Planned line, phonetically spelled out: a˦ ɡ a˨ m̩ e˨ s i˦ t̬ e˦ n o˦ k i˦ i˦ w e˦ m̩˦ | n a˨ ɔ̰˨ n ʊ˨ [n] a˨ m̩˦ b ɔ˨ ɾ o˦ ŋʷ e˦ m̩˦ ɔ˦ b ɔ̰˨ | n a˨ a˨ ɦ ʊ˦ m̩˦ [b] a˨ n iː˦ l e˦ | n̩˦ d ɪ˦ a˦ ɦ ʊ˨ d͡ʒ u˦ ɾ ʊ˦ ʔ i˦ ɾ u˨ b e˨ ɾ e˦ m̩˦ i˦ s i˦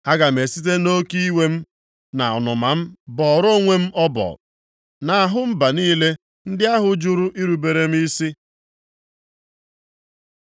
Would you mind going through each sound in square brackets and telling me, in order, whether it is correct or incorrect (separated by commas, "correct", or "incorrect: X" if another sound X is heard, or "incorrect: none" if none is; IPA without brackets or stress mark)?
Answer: incorrect: m, correct